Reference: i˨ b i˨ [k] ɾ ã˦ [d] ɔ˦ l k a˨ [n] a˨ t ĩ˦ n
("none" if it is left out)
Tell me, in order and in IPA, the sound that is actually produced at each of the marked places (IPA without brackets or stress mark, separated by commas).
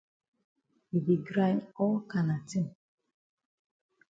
ɡ, n, n